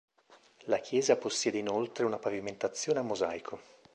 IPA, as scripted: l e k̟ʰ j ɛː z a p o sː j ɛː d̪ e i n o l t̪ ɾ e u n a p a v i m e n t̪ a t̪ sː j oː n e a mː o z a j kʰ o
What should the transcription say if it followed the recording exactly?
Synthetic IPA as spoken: l a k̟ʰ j ɛː z a p o sː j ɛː d̪ e i n o l t̪ ɾ e u n a p a v i m e n t̪ a t̪ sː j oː n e a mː o z a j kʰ o